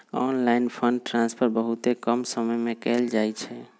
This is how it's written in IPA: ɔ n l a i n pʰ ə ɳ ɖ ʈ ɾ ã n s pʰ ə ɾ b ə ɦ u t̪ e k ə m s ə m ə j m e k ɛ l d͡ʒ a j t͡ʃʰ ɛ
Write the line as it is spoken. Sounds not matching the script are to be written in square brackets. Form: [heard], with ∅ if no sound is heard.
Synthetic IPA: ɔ n l a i n pʰ ə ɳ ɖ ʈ ɾ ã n s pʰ ə ɾ b ə ɦ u t̪ e k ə m s ə m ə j m e k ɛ l d͡ʒ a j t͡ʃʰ ɛ